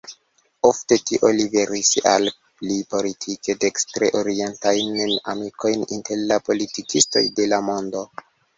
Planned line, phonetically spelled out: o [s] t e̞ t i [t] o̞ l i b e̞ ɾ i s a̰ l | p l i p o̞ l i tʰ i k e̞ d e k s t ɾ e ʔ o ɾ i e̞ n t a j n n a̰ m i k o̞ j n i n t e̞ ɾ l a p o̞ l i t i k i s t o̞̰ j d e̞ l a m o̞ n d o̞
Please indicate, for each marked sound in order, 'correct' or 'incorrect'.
incorrect: f, incorrect: ʔ

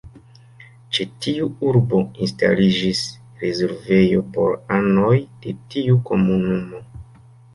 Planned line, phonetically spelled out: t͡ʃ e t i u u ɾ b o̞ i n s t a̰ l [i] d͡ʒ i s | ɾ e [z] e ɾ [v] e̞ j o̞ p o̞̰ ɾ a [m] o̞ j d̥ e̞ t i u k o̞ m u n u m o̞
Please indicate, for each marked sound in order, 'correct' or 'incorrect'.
correct, correct, correct, incorrect: n

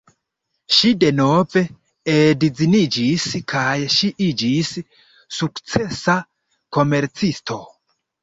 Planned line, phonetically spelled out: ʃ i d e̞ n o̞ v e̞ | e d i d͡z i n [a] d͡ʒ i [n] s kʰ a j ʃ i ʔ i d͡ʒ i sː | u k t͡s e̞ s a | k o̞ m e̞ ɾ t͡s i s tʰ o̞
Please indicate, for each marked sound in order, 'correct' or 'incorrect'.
incorrect: i, incorrect: none

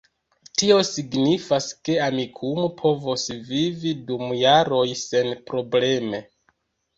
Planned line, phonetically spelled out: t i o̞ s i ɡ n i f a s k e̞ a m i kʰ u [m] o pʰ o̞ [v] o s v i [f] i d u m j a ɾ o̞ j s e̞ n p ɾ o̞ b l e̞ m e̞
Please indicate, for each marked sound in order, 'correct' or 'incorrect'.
correct, correct, incorrect: v

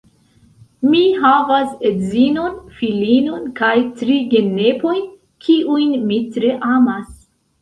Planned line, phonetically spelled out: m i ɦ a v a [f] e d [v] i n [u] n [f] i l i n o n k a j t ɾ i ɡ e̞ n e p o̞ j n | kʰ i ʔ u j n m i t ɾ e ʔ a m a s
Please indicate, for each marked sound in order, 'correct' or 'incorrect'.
incorrect: s, incorrect: z, incorrect: o, correct

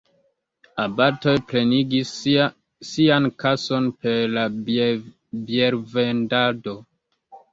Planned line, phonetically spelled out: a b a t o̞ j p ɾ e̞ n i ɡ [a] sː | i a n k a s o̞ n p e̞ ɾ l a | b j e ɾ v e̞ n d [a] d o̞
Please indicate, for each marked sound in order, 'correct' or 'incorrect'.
incorrect: i, correct

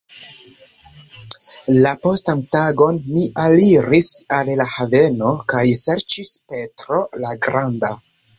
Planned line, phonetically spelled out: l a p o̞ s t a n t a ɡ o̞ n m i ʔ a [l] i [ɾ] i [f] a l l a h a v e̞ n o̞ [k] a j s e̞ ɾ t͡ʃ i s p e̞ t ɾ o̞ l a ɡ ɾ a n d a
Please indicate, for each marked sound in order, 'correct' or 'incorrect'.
correct, correct, incorrect: s, correct

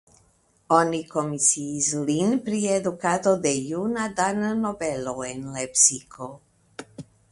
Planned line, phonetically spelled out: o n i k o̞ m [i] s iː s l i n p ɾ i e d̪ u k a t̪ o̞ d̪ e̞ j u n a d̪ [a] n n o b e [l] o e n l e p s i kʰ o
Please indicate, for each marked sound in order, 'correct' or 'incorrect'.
correct, correct, correct

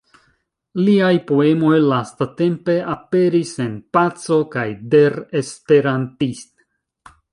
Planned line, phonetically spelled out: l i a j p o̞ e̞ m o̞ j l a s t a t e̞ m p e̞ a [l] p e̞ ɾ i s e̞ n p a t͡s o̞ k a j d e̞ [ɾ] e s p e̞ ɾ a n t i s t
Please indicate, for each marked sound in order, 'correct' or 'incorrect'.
incorrect: none, correct

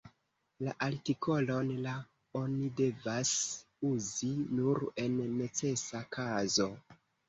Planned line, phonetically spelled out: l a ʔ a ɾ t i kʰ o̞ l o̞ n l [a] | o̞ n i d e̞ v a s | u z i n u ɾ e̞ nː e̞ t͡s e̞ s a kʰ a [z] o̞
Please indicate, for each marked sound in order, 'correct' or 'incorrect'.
correct, correct

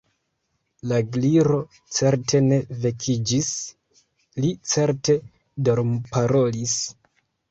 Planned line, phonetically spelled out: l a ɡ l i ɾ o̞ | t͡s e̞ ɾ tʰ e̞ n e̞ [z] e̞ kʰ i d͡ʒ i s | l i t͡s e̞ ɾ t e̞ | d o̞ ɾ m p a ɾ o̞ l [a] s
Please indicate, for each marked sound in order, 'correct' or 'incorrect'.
incorrect: v, incorrect: i

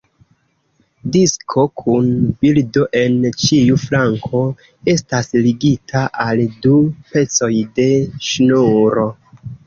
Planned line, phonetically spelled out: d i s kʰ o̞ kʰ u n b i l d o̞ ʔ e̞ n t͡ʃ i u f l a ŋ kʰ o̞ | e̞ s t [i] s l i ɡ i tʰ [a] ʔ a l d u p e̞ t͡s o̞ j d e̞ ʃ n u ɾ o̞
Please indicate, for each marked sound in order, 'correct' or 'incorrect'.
incorrect: a, correct

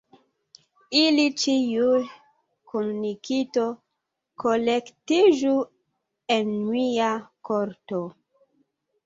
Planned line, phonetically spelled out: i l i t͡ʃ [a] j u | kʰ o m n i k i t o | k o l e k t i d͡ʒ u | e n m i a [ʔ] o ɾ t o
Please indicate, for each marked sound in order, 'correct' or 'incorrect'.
incorrect: i, incorrect: k

